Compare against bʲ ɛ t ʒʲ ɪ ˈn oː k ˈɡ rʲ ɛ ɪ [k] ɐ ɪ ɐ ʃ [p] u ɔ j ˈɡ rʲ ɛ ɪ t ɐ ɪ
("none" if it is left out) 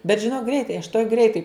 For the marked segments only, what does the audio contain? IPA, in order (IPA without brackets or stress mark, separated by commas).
t, t